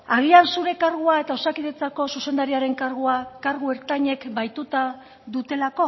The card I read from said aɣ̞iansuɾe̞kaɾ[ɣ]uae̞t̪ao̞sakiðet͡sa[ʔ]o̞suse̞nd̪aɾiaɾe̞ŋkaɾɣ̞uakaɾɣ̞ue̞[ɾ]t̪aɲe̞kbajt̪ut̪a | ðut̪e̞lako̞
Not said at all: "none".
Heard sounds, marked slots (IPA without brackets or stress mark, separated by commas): ɣ, k, ɾ